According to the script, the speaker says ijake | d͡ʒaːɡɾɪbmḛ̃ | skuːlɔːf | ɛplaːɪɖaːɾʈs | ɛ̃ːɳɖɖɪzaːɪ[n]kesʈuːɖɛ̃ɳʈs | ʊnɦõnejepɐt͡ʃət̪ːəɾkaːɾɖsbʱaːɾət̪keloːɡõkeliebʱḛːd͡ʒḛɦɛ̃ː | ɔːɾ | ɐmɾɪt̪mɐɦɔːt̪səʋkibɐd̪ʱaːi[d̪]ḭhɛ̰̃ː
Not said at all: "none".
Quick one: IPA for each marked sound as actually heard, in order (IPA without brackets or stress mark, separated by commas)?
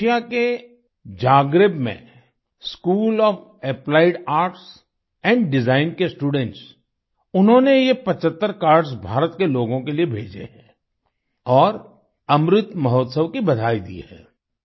n, d̪